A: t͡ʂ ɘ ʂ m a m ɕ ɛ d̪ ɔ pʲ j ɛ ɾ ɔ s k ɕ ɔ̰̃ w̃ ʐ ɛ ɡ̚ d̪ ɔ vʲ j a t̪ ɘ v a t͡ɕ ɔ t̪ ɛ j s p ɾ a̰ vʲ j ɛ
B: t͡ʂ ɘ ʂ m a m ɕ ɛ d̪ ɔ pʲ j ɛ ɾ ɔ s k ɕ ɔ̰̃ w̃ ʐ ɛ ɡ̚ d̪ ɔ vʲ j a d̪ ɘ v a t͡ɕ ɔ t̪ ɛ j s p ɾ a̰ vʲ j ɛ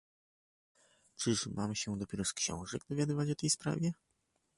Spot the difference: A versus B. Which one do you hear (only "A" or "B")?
B